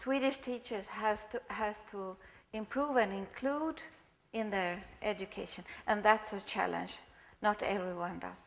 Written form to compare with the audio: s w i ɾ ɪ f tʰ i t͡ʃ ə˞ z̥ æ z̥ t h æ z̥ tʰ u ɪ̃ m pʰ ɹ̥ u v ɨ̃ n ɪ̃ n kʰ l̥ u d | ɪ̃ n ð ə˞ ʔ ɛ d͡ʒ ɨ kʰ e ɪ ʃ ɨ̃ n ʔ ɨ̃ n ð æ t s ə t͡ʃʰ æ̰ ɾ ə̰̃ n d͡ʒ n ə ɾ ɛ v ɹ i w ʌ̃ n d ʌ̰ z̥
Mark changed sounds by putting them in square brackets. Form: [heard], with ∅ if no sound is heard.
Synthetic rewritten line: s w i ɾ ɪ [ʃ] tʰ i t͡ʃ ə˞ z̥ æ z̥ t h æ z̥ tʰ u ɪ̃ m pʰ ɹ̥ u v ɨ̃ n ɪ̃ n kʰ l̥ u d | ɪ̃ n ð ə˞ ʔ ɛ d͡ʒ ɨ kʰ e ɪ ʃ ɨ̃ n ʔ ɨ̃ n ð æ t s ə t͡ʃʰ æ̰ [l] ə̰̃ n d͡ʒ n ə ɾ ɛ v ɹ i w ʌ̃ n d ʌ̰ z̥